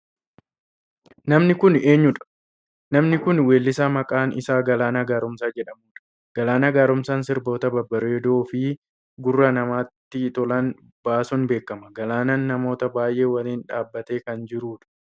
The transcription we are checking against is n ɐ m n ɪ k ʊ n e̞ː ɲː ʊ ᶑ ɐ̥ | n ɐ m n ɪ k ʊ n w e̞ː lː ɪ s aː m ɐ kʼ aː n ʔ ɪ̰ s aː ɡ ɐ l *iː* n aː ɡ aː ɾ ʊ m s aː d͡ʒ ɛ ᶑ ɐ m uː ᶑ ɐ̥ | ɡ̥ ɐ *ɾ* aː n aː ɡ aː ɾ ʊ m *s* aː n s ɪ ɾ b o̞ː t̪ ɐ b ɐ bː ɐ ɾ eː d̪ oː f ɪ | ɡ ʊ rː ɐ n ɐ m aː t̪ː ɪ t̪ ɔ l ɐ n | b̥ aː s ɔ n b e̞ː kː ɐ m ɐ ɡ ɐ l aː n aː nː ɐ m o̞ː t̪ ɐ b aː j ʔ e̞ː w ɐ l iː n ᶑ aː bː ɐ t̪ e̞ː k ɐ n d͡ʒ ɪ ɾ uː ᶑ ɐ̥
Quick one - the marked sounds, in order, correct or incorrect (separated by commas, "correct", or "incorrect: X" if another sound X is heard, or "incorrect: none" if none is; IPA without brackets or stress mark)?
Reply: incorrect: aː, incorrect: l, correct